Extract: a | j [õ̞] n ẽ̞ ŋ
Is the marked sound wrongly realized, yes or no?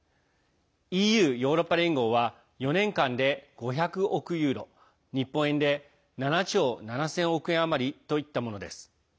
yes